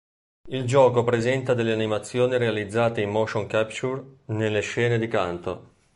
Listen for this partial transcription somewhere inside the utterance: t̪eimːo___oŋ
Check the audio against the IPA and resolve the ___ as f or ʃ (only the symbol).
ʃ